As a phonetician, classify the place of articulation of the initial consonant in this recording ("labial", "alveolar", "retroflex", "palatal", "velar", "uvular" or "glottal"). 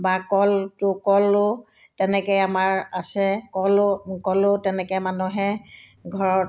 labial